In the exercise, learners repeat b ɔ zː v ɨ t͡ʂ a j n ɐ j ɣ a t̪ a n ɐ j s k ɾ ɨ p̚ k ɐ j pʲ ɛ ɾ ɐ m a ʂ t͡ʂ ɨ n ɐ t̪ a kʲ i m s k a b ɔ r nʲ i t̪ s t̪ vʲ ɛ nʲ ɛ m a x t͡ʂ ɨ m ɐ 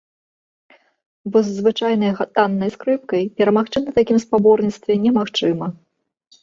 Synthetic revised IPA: b ɔ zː v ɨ t͡ʂ a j n ɐ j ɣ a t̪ a nː ɐ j s k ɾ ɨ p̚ k ɐ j pʲ ɛ ɾ ɐ m a x t͡ʂ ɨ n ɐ t̪ a kʲ i m s p a b ɔ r nʲ i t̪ s t̪ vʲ ɛ nʲ ɛ m a x t͡ʂ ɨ m ɐ